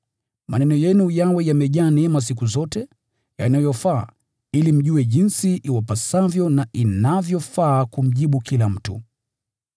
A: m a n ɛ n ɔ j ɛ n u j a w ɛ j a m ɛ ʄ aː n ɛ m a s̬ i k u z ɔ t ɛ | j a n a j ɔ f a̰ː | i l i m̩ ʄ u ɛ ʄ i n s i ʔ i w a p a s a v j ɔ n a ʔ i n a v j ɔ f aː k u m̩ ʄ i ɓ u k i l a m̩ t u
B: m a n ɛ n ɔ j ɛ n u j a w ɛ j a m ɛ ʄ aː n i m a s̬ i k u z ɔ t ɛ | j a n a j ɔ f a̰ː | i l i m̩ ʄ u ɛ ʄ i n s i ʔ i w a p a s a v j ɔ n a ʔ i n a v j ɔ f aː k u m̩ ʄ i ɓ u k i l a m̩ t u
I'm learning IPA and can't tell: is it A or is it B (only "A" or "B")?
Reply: A